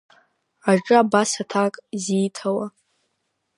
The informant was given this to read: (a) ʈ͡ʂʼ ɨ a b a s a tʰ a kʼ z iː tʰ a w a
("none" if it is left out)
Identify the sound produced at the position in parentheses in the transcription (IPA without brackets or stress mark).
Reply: a